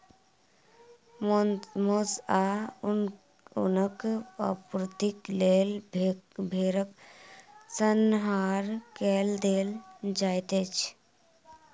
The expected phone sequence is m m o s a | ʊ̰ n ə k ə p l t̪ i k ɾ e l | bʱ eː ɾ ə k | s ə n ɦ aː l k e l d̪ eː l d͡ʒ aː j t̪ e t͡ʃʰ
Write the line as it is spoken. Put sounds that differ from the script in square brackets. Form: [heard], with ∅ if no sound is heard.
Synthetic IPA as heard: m m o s a | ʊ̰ n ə k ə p [ɾ] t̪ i k [l] e l | bʱ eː ɾ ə k | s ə n ɦ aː [ɾ] k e l d̪ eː l d͡ʒ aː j t̪ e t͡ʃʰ